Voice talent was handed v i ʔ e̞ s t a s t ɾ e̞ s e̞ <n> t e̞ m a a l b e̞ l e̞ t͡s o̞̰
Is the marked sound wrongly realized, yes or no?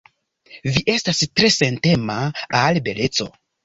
no